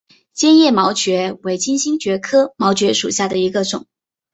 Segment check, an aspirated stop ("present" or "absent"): present